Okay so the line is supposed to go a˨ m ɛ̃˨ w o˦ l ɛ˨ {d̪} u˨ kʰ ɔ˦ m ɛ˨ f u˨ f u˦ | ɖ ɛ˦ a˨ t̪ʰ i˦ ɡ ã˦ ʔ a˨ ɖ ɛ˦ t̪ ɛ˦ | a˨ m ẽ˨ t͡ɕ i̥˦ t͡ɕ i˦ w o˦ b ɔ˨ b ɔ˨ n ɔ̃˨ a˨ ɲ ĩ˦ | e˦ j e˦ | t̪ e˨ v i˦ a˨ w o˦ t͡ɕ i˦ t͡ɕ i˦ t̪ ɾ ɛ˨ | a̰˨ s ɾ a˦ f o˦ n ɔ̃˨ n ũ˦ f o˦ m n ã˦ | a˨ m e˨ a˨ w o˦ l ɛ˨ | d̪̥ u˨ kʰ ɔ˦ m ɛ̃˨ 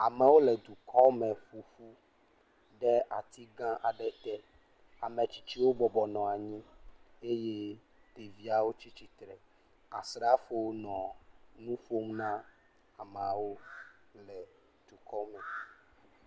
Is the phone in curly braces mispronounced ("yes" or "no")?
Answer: no